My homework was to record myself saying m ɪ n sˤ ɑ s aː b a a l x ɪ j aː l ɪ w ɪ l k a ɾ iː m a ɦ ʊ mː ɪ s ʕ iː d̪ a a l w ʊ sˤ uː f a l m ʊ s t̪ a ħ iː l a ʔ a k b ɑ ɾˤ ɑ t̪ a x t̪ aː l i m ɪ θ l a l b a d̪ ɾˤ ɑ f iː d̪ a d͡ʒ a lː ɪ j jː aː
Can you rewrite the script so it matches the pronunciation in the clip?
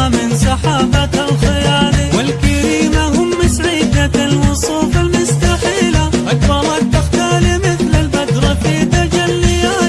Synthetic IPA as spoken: m ɪ n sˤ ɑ ħ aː b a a l x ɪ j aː l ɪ w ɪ l k a ɾ iː m a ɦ ʊ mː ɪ s ʕ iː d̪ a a l w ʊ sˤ uː f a l m ʊ s t̪ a ħ iː l a ʔ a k b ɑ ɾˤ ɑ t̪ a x t̪ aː l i m ɪ θ l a l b a d̪ ɾˤ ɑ f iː t̪ a d͡ʒ a lː ɪ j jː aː